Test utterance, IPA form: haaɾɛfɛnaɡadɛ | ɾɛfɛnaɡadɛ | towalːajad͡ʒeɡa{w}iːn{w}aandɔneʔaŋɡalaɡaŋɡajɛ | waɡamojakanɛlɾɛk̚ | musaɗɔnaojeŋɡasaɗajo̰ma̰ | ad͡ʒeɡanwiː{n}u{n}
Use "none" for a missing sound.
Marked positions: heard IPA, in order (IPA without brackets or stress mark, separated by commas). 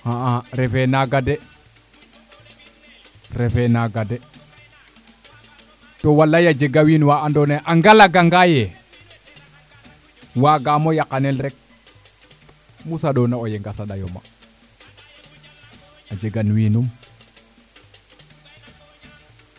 w, w, n, m